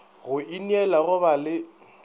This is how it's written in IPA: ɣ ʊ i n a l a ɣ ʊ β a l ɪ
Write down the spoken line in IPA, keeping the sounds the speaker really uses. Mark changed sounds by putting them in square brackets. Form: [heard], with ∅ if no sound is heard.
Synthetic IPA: ɣ ʊ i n [ɛ] l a ɣ ʊ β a l ɪ